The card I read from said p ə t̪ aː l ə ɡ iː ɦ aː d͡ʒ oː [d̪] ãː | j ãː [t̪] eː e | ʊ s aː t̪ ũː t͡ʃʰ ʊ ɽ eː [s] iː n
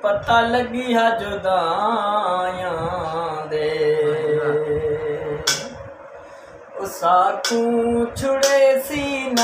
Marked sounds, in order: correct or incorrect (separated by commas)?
correct, incorrect, correct